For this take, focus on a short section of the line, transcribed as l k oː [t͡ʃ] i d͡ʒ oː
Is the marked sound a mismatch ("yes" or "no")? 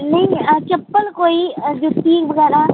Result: yes